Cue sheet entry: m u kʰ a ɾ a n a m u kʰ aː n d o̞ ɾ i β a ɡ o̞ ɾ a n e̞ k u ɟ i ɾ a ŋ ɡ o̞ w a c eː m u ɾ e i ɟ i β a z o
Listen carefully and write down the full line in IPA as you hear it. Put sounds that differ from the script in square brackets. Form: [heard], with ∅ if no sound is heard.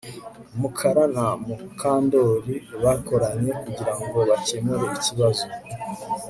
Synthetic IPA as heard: m u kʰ a ɾ a n a m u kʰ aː n d o̞ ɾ i β a [k] o̞ ɾ a [ɲ] e̞ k u ɟ i ɾ a ŋ ɡ o̞ [β] a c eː m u ɾ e i [c] i β a z o

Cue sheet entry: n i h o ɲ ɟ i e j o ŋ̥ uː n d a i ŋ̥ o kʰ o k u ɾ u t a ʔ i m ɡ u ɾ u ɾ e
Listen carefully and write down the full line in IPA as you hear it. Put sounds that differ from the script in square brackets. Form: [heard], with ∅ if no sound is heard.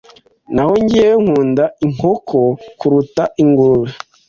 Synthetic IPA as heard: n [a] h o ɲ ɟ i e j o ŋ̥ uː n d a i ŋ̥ o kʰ o k u ɾ u t a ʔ i [ŋ] ɡ u ɾ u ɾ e

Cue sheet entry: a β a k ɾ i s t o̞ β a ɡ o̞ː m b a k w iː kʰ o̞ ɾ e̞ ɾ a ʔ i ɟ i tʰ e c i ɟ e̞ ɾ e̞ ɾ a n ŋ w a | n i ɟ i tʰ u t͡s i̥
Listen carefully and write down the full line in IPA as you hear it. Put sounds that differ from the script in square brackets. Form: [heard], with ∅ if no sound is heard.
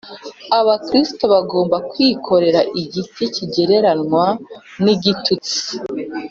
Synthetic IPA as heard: a β a k ɾ i s t o̞ β a ɡ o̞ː m b a k w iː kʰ o̞ ɾ e̞ ɾ a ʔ i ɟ i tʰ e c i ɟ e̞ ɾ e̞ ɾ a n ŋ w a | n i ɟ i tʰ u t͡s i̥

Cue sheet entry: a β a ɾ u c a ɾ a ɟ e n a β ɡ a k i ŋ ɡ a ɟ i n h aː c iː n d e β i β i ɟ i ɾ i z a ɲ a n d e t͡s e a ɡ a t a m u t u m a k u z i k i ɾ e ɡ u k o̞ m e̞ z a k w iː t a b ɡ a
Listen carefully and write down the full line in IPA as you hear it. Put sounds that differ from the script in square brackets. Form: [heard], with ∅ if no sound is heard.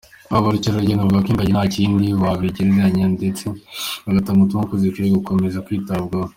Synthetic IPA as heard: a β a ɾ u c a ɾ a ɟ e n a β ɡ a k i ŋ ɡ a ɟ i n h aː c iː n d [i] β [a] β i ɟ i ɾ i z a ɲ a n d e t͡s e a ɡ a t a m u t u m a k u z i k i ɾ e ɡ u k o̞ m e̞ z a k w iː t a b ɡ a

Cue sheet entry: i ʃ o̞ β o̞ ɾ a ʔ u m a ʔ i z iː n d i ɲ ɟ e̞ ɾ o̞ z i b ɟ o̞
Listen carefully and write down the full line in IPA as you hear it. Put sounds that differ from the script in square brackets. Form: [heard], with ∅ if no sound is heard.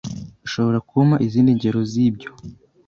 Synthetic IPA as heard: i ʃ o̞ β o̞ ɾ a [k] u m a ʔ i z iː n d i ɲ ɟ e̞ ɾ o̞ z i b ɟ o̞

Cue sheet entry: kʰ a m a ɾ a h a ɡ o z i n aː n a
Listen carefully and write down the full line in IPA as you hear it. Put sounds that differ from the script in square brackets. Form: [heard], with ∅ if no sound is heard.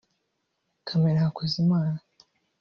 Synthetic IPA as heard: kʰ a m [e] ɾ a h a [k] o z i [m] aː n a

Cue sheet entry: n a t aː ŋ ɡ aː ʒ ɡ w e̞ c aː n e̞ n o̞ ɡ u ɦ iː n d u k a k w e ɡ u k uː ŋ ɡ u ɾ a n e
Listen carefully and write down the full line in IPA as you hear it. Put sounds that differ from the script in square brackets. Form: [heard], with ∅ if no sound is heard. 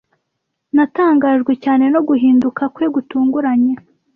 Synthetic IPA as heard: n a t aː ŋ ɡ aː ʒ ɡ w e̞ c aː n e̞ n o̞ ɡ u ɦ iː n d u k a k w e ɡ u [t] uː ŋ ɡ u ɾ a [ɲ] e

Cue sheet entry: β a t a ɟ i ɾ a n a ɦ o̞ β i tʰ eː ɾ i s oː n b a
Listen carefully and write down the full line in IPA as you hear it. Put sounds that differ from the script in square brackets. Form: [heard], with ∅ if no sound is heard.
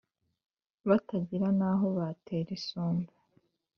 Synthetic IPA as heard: β a t a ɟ i ɾ a n a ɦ o̞ β [a] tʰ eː ɾ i s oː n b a

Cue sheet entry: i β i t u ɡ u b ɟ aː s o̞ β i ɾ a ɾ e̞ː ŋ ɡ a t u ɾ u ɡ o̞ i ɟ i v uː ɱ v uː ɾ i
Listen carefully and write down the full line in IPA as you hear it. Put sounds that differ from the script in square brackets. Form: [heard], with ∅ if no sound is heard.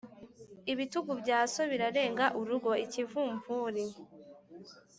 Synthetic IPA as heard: i β i t u ɡ u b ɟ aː s o̞ β i ɾ a ɾ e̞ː ŋ ɡ a [ʔ] u ɾ u ɡ o̞ i [c] i v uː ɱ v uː ɾ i

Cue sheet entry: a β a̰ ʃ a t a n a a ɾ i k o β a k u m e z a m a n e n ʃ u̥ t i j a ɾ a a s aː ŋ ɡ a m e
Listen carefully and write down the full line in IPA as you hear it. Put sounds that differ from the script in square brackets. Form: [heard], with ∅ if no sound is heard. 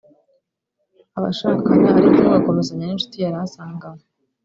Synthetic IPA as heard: a β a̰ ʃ a [k] a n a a ɾ i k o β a k [o] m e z a [ɲ] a n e n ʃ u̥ t i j a ɾ a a s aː ŋ ɡ a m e

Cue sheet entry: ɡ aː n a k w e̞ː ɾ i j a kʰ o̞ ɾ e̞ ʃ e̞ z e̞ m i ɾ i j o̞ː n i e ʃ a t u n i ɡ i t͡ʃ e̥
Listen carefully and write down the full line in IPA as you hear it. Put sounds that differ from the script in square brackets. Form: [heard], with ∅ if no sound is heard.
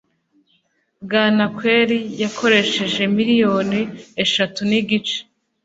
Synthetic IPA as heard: ɡ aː n a k w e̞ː ɾ i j a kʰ o̞ ɾ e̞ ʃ e̞ [ʒ] e̞ m i ɾ i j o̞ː n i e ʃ a t u n i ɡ i t͡ʃ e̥

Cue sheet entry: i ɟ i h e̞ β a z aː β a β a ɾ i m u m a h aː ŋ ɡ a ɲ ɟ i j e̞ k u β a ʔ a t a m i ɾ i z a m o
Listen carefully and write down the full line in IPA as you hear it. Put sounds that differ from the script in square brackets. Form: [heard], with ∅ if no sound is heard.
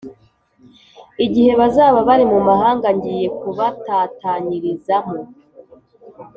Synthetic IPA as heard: i ɟ i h e̞ β a z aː β a β a ɾ i m u m a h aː ŋ ɡ a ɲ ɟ i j e̞ k u β a [t] a t a [ɲ] i ɾ i z a m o

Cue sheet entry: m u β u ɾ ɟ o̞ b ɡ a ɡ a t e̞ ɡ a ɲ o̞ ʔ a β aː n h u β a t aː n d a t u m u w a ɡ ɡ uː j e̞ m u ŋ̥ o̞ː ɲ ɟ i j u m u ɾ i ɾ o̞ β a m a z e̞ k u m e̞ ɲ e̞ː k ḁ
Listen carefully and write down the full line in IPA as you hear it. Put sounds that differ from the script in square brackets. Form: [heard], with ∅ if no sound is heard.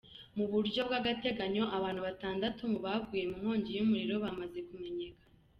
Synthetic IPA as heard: m u β u ɾ ɟ o̞ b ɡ a ɡ a t e̞ ɡ a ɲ o̞ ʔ a β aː n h u β a t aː n d a t u m u [β] a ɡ ɡ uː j e̞ m u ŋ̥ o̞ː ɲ ɟ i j u m u ɾ i ɾ o̞ β a m a z e̞ k u m e̞ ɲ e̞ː k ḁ

